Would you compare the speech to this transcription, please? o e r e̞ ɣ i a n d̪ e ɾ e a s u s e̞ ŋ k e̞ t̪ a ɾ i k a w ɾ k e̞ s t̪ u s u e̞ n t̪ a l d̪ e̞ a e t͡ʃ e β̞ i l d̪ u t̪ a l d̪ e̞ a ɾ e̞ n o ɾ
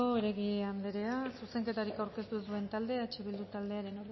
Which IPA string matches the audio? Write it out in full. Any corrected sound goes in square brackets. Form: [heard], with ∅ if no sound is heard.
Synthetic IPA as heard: o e [ɾ] e̞ ɣ i a n d̪ e ɾ e a s u s e̞ ŋ k e̞ t̪ a ɾ i k a w ɾ k e̞ s t̪ u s u e̞ n t̪ a l d̪ e̞ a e t͡ʃ e β̞ i l d̪ u t̪ a l d̪ e̞ a ɾ e̞ n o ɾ